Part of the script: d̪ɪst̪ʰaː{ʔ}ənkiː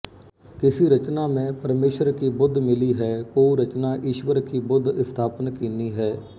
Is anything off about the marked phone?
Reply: yes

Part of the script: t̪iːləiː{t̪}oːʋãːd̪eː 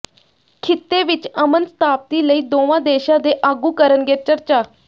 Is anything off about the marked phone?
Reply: yes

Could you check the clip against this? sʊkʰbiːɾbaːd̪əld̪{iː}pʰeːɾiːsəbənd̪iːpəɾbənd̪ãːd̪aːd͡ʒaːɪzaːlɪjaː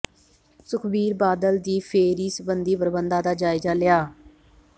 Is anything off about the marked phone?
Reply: no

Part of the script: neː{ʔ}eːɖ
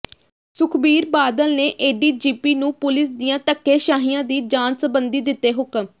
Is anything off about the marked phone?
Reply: no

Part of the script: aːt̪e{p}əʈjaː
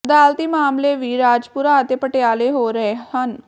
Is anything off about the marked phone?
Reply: no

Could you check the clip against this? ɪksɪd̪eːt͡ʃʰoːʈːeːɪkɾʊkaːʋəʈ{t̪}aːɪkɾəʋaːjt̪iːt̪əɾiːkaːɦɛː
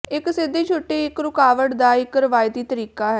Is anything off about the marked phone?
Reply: yes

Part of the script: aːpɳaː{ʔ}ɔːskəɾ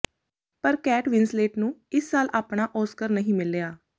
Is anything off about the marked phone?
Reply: no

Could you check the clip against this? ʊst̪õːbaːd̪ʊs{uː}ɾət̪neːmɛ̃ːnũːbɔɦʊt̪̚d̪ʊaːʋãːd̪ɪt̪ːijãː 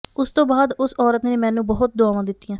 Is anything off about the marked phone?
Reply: yes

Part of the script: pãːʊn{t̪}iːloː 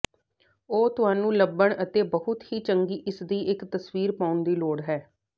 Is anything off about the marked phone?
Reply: yes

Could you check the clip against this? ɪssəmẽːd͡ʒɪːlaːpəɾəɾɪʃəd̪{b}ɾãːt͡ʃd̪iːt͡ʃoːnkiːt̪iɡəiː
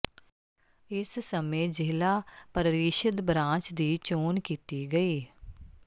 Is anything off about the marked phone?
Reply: no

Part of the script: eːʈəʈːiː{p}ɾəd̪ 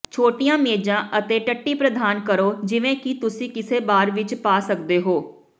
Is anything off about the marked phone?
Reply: no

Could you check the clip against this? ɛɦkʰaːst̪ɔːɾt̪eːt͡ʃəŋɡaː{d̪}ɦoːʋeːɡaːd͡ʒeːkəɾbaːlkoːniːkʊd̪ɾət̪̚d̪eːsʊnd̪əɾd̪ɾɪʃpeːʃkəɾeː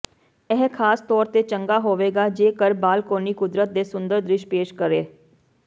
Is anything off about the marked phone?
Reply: yes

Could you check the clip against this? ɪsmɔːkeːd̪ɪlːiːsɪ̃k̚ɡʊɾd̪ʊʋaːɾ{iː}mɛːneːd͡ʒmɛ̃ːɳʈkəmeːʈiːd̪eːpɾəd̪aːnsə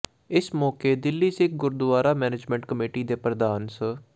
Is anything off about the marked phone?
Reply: yes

